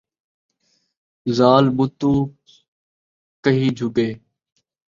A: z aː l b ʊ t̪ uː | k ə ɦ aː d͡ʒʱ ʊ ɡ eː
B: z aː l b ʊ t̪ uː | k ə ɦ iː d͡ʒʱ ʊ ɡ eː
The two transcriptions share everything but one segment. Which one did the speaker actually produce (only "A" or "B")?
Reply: B